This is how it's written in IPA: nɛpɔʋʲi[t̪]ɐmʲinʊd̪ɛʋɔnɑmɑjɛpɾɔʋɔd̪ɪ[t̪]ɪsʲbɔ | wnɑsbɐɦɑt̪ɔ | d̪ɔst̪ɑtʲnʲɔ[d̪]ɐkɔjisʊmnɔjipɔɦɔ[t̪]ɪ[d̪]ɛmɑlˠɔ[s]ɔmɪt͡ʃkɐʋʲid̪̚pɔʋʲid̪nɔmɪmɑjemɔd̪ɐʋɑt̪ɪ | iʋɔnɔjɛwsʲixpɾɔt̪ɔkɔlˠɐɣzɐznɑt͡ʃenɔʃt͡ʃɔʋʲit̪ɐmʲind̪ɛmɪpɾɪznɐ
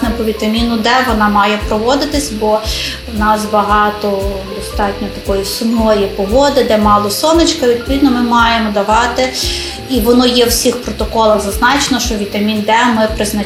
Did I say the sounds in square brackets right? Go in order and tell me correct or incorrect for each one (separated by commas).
correct, correct, incorrect, incorrect, correct, correct